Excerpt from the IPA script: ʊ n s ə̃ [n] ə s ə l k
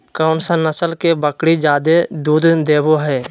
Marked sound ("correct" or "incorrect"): correct